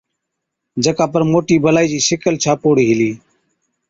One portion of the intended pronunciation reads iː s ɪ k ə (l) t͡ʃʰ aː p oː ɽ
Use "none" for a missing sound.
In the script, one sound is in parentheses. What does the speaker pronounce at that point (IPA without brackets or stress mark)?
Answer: l